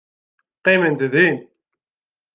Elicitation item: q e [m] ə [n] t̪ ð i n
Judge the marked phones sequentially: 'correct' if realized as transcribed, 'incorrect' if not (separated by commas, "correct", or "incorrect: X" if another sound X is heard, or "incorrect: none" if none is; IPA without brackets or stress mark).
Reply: correct, correct